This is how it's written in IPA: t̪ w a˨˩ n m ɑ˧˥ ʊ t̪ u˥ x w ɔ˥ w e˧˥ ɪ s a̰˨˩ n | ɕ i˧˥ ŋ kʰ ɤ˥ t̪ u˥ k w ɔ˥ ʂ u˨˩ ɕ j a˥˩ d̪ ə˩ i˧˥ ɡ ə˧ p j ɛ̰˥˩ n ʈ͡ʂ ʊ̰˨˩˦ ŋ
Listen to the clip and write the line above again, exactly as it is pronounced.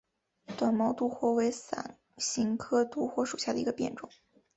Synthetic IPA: t̪ w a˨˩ n m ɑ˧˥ ʊ t̪ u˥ x w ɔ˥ w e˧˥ ɪ s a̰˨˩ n | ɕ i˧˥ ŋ kʰ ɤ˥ t̪ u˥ x w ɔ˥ ʂ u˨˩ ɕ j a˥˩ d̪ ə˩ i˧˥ ɡ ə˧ p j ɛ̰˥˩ n ʈ͡ʂ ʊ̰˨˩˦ ŋ